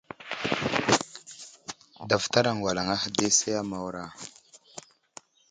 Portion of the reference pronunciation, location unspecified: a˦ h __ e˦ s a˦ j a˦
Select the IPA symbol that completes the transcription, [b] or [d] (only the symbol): d